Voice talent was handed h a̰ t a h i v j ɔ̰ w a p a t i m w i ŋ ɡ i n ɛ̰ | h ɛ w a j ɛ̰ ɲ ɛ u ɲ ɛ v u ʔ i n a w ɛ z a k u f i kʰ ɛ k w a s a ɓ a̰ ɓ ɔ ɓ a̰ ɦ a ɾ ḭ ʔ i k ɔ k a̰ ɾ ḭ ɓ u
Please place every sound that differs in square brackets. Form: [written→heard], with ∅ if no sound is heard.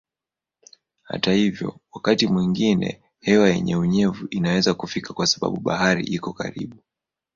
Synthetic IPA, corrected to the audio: h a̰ t a h i v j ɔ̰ w a [p→k] a t i m w i ŋ ɡ i n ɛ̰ | h ɛ w a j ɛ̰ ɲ ɛ u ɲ ɛ v u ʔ i n a w ɛ z a k u f i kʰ [ɛ→a] k w a s a ɓ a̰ ɓ [ɔ→u] ɓ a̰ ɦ a ɾ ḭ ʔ i k ɔ k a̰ ɾ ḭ ɓ u